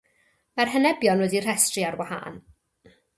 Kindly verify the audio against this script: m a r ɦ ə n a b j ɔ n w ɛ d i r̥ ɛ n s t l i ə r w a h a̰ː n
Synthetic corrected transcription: m a r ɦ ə n ɛ b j ɔ n w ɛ d i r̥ ɛ s t r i a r w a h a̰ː n

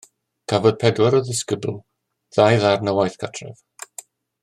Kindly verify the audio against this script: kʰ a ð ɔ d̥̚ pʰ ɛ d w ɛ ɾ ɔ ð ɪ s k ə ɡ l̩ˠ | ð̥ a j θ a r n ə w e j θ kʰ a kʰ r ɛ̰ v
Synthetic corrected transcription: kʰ a v ɔ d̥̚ pʰ ɛ d w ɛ ɾ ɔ ð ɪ s k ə b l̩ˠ | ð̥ a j ð a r n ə w a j θ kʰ a tʰ r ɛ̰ v

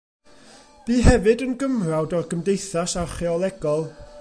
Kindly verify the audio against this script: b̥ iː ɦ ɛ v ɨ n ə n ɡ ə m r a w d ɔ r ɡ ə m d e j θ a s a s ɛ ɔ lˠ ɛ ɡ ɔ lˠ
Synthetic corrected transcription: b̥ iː ɦ ɛ v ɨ d ə n ɡ ə m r a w d ɔ r ɡ ə m d e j θ a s a χ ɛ ɔ lˠ ɛ ɡ ɔ lˠ

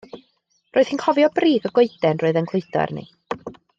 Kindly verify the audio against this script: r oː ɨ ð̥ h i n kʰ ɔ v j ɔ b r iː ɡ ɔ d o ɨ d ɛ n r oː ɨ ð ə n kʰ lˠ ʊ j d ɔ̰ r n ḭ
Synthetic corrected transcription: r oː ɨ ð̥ h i n kʰ ɔ v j ɔ b r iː ɡ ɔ ɡ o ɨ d ɛ n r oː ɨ ð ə n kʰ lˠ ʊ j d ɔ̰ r n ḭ

